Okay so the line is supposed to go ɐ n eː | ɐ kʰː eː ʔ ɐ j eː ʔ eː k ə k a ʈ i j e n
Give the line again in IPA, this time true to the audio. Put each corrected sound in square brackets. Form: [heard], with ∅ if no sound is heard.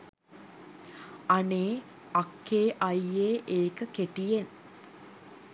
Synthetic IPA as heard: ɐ n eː | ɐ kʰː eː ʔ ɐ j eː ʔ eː k ə k [e] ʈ i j e n